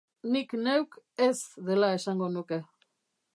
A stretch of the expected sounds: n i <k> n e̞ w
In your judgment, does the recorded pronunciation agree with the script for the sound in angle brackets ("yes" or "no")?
yes